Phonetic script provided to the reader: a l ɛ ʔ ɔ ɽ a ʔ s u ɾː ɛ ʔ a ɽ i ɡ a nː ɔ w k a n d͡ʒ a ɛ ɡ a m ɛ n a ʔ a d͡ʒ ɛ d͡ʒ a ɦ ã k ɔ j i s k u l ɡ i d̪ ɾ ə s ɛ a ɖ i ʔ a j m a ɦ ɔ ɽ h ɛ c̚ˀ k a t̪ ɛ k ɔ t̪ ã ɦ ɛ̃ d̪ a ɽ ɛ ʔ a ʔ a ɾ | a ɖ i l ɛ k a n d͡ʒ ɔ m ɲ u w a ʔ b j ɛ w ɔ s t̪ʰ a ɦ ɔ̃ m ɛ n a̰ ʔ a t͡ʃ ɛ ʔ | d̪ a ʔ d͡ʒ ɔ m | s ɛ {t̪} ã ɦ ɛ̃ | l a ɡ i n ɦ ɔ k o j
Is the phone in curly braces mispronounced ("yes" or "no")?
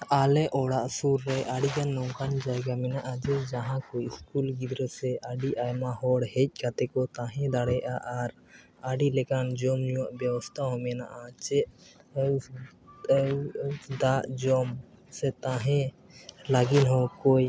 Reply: no